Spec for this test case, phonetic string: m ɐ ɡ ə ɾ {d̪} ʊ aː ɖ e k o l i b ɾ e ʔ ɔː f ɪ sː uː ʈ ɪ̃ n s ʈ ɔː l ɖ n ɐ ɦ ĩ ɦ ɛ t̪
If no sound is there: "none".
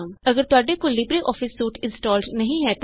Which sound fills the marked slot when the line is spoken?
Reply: t̪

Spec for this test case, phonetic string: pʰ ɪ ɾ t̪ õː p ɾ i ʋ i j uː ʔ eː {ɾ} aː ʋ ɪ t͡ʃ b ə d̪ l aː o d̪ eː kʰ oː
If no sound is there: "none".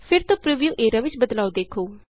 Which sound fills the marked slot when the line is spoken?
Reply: ɾ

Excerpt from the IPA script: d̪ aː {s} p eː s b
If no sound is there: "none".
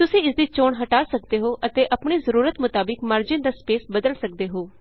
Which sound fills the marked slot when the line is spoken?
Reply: s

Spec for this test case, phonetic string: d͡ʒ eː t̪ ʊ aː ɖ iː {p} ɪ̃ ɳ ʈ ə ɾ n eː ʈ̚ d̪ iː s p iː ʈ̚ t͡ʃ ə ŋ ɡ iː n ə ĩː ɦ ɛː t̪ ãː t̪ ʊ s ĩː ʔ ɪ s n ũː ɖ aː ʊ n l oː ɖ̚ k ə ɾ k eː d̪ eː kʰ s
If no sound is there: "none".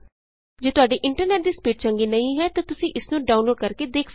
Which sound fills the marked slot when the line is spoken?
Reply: ʔ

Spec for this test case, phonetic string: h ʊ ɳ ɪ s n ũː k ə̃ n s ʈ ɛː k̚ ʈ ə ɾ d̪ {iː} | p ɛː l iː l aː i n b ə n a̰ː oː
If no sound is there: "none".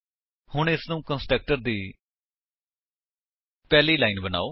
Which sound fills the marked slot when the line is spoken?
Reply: iː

